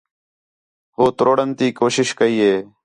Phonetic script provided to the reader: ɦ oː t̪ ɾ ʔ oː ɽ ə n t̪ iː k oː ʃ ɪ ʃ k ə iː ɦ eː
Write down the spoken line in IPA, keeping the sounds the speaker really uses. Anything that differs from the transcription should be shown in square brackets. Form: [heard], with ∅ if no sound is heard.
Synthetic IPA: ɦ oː t̪ ɾ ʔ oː ɽ ə n t̪ iː k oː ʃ ɪ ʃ k ə iː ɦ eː